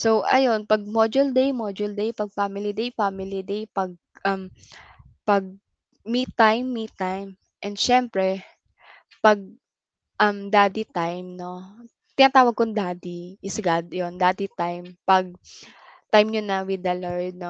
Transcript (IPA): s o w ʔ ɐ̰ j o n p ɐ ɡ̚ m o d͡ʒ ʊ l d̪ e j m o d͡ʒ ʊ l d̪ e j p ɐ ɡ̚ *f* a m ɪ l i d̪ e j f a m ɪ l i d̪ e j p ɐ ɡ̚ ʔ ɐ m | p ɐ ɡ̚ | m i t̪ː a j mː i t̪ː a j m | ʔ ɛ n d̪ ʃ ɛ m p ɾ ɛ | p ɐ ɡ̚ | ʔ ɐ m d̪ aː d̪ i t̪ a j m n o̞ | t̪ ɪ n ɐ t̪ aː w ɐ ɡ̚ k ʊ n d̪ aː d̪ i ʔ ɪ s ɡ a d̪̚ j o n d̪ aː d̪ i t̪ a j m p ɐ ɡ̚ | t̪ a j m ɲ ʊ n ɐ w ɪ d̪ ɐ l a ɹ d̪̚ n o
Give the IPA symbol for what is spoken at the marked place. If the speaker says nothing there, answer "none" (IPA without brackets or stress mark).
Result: f